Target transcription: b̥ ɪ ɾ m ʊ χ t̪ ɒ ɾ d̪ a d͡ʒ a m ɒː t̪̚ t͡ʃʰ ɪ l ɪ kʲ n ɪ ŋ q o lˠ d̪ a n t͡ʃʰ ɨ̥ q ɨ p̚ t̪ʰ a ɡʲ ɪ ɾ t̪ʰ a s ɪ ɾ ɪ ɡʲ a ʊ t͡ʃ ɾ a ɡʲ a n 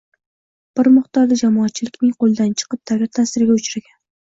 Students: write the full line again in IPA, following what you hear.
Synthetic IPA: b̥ ɪ ɾ m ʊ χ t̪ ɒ ɾ d̪ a d͡ʒ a m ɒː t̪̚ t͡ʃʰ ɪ l ɪ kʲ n ɪ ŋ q o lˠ d̪ a n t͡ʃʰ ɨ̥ q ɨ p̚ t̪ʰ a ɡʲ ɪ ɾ t̪ʰ a s ɪ ɾ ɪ ɡʲ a ʊ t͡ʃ ɾ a ɡʲ a n